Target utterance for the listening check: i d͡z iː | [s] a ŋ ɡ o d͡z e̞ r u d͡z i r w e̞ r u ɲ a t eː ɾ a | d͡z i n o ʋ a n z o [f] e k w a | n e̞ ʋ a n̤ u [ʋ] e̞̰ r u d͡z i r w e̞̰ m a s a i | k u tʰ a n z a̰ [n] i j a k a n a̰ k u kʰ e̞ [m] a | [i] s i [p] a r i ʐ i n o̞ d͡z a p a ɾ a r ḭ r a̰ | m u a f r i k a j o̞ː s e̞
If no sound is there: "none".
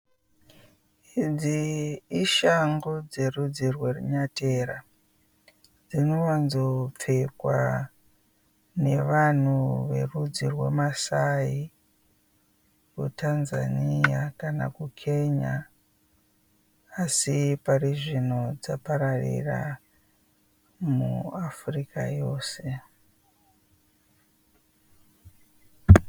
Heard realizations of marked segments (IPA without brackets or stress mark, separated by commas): ʃ, p͡f, ʋ, n, ɲ, a, p